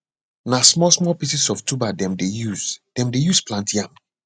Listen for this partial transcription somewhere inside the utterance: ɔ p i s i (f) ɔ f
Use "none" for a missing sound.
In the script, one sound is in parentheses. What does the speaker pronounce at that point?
s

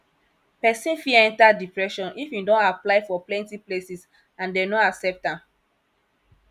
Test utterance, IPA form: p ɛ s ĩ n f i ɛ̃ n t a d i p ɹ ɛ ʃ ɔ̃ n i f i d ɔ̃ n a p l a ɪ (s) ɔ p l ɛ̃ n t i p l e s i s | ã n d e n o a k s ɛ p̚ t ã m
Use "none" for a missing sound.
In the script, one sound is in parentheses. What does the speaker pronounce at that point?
f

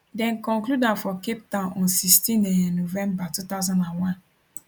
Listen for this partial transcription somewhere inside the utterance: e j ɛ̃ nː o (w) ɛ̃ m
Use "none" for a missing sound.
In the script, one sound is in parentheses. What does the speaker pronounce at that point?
v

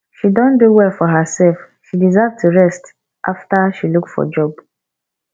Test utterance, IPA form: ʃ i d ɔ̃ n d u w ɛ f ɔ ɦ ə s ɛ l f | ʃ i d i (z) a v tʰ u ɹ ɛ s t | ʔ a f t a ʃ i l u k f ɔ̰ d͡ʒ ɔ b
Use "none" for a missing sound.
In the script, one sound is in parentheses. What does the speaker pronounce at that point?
z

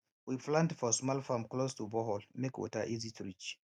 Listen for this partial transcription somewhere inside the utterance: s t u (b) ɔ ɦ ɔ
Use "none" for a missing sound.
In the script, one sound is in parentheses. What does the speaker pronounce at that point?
b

